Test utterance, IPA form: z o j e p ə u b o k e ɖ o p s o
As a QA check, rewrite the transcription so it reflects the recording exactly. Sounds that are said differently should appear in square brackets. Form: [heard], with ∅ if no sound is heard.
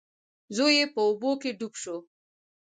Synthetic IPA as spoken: z o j e p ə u b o k e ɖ [u] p [ʃ] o